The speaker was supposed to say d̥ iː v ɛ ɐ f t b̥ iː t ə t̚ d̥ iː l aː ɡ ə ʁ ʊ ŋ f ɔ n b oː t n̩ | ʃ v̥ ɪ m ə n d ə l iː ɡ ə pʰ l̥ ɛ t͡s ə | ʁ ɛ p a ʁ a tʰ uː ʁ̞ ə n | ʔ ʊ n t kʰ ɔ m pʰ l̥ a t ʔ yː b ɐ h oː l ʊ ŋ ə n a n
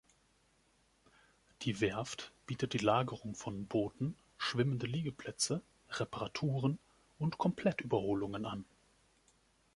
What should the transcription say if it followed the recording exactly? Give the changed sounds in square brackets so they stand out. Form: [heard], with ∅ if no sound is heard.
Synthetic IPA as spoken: d̥ iː v ɛ ɐ f t b̥ iː t ə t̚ d̥ iː l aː ɡ ə ʁ ʊ ŋ f ɔ n b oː t n̩ | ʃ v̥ ɪ m ə n d ə l iː ɡ ə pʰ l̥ ɛ t͡s ə | ʁ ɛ p a ʁ a tʰ uː ʁ̞ ə n | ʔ ʊ n t kʰ ɔ m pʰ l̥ [ɛ] t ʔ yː b ɐ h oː l ʊ ŋ ə n a n

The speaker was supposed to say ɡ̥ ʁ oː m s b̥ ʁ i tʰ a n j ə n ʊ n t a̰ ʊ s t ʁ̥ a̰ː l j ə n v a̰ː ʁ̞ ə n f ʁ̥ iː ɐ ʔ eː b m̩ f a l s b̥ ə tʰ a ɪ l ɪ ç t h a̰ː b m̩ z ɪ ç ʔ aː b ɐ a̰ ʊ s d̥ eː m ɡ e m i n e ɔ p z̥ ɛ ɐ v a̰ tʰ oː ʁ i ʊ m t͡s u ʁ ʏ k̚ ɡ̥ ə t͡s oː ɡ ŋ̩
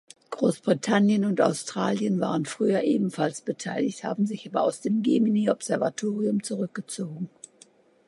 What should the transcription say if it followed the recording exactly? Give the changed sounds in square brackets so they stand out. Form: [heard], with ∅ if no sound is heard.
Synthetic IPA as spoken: ɡ̥ ʁ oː [∅] s b̥ ʁ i tʰ a n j ə n ʊ n t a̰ ʊ s t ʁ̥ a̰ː l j ə n v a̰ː ʁ̞ ə n f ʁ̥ [yː] ɐ ʔ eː b m̩ f a l s b̥ ə tʰ a ɪ l ɪ ç t h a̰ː b m̩ z ɪ ç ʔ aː b ɐ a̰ ʊ s d̥ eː m ɡ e m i n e ɔ p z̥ ɛ ɐ v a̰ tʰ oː ʁ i ʊ m t͡s u ʁ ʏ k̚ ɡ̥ ə t͡s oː ɡ ŋ̩

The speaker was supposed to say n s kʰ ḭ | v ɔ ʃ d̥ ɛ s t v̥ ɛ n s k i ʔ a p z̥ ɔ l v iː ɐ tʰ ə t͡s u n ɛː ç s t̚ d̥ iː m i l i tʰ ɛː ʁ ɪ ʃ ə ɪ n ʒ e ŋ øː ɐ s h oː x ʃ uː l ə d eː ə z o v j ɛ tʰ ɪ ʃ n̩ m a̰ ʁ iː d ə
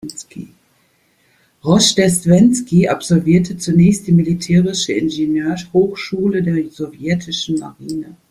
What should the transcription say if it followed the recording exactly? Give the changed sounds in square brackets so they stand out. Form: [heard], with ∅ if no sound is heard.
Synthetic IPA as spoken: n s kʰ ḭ | [ʁ] ɔ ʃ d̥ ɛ s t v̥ ɛ n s k i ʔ a p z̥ ɔ l v iː ɐ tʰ ə t͡s u n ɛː ç s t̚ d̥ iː m i l i tʰ ɛː ʁ ɪ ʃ ə ɪ n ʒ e [n] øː ɐ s h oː x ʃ uː l ə d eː [ɐ] z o v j ɛ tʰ ɪ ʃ n̩ m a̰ ʁ iː [n] ə

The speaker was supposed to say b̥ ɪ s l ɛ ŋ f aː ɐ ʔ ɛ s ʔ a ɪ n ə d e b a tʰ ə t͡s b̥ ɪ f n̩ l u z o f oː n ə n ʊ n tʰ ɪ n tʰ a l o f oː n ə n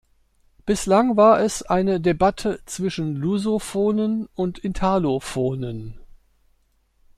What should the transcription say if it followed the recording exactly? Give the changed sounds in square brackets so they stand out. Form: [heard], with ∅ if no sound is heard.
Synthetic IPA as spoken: b̥ ɪ s l [a] ŋ [v] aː ɐ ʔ ɛ s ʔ a ɪ n ə d e b a tʰ ə t͡s [v̥] ɪ [ʃ] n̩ l u z o f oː n ə n ʊ n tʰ ɪ n tʰ a l o f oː n ə n

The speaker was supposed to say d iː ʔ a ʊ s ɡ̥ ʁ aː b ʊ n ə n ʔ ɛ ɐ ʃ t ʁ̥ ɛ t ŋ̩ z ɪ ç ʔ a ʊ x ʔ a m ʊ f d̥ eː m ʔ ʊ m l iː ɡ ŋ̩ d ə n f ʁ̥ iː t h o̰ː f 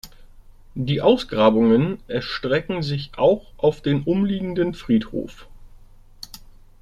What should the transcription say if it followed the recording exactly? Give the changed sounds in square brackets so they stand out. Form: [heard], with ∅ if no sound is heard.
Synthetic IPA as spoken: d iː ʔ a ʊ s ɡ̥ ʁ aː b ʊ [ŋ] ə n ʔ ɛ ɐ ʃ t ʁ̥ ɛ [k] ŋ̩ z ɪ ç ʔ a ʊ x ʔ a [∅] ʊ f d̥ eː [n] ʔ ʊ m l iː ɡ ŋ̩ d ə n f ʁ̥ iː t h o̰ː f

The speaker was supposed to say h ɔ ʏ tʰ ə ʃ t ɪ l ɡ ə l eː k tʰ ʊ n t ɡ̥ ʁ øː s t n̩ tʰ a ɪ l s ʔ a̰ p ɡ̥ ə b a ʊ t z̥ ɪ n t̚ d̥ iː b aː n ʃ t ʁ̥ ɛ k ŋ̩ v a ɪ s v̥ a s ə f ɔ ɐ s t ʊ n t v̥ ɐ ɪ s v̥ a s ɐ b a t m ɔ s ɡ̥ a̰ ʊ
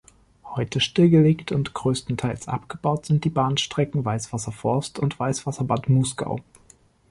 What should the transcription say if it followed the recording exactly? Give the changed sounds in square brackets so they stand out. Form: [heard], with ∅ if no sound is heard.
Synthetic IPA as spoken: h ɔ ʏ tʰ ə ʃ t ɪ l ɡ ə l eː k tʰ ʊ n t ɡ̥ ʁ øː s t n̩ tʰ a ɪ l s ʔ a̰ p ɡ̥ ə b a ʊ t z̥ ɪ n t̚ d̥ iː b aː n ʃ t ʁ̥ ɛ k ŋ̩ v a ɪ s v̥ a s [ɐ] f ɔ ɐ s t ʊ n t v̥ [a] ɪ s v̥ a s ɐ b a t m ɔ s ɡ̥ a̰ ʊ

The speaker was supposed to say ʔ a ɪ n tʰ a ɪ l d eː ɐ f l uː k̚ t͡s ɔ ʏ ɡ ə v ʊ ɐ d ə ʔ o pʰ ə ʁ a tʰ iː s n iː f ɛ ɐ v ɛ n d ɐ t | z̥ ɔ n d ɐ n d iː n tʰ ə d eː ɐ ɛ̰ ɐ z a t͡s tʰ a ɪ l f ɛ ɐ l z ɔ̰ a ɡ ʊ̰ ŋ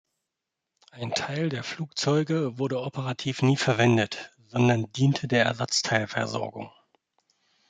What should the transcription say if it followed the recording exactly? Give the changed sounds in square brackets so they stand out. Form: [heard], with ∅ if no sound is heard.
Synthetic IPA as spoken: ʔ a ɪ n tʰ a ɪ l d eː ɐ f l uː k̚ t͡s ɔ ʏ ɡ ə v ʊ ɐ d ə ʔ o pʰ ə ʁ a tʰ iː [f] n iː f ɛ ɐ v ɛ n d [ə] t | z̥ ɔ n d ɐ n d iː n tʰ ə d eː ɐ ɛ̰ ɐ z a t͡s tʰ a ɪ l f ɛ ɐ [∅] z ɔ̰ [ɐ] ɡ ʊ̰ ŋ

